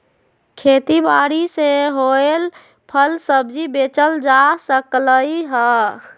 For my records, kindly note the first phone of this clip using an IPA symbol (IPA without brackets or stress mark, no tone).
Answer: kʰ